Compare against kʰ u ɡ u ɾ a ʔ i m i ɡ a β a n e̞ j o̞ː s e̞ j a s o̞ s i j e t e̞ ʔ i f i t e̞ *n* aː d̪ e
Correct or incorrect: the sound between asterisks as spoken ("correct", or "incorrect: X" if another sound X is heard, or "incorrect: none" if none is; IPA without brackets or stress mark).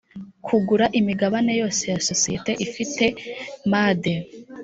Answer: incorrect: m